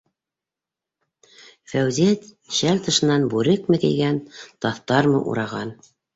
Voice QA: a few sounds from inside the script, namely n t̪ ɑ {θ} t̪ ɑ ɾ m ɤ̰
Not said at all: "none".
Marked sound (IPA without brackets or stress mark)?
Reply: θ